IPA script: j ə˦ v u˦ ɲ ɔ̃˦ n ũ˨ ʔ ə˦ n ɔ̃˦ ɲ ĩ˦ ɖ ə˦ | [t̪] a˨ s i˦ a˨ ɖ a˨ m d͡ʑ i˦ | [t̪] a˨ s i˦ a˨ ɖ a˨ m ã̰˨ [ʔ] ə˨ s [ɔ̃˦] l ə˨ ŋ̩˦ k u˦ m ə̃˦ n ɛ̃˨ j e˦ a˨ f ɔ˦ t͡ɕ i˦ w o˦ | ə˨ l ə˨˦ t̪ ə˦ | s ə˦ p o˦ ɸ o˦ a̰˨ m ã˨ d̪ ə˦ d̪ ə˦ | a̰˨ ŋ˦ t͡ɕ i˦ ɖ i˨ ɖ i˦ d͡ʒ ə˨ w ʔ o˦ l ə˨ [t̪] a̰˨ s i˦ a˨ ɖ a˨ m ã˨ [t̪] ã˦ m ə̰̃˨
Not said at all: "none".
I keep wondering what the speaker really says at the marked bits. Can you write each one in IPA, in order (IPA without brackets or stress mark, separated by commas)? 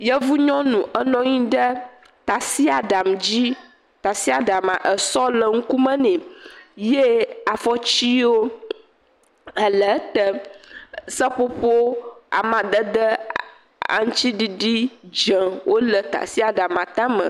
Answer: t̪, t̪, ʔ, ɔ˦, t̪, t̪